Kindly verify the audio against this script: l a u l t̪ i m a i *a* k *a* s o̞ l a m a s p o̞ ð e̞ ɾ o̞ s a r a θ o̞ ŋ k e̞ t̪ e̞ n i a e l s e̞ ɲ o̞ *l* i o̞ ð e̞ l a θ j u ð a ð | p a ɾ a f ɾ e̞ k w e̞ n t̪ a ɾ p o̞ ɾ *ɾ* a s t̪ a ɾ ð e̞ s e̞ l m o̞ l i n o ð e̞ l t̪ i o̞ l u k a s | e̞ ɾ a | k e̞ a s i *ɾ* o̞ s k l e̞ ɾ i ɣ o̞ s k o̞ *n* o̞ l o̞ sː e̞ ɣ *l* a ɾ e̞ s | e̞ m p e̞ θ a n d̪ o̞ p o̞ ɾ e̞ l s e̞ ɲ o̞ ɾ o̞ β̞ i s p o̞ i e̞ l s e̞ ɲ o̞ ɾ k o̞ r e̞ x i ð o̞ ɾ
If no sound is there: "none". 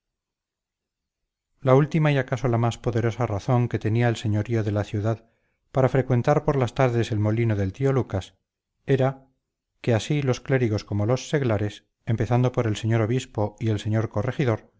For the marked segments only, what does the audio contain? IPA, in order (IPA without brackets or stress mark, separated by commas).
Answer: a, a, ɾ, l, l, m, l